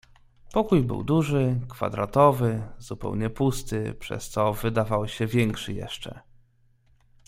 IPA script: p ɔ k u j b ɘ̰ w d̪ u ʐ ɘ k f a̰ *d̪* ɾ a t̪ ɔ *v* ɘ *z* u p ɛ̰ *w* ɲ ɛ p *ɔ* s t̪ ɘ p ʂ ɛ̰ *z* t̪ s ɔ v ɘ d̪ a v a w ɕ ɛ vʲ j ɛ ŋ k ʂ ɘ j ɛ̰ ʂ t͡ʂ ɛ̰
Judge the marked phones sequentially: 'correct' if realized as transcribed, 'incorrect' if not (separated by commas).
correct, correct, correct, correct, incorrect, incorrect